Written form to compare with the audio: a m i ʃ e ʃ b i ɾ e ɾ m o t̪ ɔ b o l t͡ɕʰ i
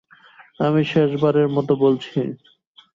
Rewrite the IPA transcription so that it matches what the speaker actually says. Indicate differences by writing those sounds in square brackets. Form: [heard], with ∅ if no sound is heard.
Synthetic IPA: a m i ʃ e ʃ b [a] ɾ e ɾ m [ɔ] t̪ [o] b o l t͡ɕʰ i